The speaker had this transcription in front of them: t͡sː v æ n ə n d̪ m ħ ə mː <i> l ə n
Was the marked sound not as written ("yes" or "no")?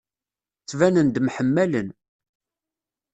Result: yes